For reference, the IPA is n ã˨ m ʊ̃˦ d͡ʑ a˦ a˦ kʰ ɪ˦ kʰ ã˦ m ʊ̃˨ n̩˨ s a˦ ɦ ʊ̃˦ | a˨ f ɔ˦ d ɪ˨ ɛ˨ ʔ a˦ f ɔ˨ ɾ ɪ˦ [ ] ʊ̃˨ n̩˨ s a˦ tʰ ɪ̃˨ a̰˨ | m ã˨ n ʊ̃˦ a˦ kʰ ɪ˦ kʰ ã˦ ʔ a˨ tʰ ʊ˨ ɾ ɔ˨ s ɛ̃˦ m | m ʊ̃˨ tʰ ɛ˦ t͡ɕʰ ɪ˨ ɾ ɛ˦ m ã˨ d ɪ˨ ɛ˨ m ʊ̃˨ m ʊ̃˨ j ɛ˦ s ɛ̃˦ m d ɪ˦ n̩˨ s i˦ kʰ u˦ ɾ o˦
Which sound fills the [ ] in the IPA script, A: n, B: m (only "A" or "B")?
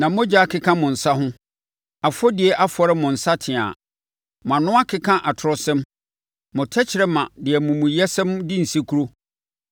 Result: B